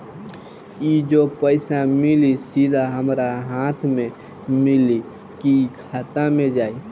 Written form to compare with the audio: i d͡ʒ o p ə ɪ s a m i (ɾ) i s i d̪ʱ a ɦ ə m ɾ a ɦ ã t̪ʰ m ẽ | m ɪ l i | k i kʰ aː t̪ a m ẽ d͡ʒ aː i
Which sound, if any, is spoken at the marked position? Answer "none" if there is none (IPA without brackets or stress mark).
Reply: l